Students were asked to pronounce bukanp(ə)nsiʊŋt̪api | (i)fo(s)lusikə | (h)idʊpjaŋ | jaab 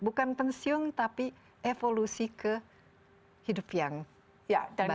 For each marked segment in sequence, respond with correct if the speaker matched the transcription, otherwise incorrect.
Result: correct, incorrect, incorrect, correct

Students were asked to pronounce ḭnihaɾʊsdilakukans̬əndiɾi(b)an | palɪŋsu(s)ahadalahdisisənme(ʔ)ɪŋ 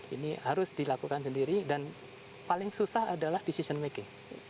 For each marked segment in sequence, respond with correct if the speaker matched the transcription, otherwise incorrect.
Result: incorrect, correct, incorrect

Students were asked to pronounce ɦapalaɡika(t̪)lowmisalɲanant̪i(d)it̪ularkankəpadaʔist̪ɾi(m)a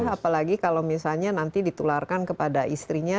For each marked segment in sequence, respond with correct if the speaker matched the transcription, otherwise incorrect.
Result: incorrect, correct, incorrect

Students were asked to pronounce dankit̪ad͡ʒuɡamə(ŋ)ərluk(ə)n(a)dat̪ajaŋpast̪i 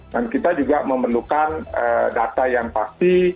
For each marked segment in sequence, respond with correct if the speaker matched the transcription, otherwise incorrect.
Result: incorrect, incorrect, incorrect

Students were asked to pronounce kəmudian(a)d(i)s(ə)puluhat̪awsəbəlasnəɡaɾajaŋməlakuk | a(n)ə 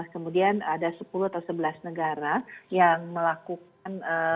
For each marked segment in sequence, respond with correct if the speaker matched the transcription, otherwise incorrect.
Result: correct, incorrect, correct, correct

